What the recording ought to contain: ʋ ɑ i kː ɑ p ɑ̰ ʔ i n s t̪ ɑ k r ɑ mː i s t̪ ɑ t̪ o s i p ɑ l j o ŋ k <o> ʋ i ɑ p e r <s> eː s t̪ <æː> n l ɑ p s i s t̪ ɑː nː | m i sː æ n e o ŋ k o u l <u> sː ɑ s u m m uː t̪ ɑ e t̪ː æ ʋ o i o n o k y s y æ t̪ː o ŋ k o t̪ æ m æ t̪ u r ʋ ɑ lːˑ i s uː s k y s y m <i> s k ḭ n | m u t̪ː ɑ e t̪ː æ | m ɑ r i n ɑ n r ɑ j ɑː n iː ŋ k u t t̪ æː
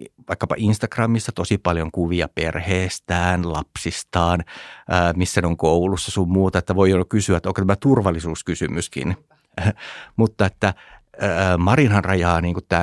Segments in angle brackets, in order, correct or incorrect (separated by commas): incorrect, incorrect, correct, correct, incorrect